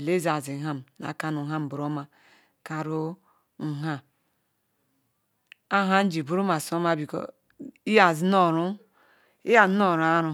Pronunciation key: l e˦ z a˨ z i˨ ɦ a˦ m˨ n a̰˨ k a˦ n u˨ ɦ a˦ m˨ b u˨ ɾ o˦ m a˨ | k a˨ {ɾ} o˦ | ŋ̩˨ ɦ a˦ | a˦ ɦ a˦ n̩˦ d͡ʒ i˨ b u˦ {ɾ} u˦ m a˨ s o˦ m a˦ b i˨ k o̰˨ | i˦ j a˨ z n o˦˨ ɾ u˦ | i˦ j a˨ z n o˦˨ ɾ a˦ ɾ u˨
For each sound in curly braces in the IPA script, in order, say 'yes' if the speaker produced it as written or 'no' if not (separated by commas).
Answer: yes, yes